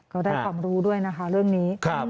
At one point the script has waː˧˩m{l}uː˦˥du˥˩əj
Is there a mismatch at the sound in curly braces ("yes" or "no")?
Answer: yes